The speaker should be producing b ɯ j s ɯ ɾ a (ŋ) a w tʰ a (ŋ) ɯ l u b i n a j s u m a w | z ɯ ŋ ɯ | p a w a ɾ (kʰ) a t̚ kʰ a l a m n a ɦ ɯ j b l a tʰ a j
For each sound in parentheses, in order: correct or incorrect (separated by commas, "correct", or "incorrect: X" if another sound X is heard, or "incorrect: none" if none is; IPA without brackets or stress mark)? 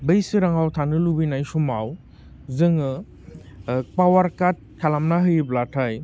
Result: correct, incorrect: n, incorrect: k